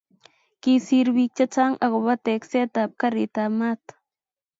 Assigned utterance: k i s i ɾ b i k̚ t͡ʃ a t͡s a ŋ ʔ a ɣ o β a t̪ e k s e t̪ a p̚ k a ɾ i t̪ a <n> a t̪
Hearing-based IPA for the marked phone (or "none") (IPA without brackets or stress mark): m